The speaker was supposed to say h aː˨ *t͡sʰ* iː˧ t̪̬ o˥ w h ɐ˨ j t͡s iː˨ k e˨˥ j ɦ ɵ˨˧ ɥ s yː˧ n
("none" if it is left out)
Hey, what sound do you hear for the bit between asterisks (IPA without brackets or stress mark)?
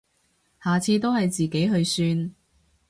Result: t͡sʰ